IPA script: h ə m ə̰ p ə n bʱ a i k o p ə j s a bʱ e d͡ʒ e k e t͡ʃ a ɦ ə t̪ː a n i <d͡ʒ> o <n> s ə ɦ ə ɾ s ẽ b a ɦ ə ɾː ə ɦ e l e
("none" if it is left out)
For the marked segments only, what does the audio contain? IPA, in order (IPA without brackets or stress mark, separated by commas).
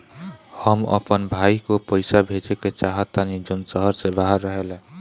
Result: d͡ʒ, n